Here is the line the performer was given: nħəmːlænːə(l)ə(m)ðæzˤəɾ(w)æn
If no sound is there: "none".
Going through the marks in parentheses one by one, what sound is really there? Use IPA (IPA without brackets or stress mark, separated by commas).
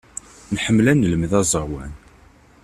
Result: l, m, w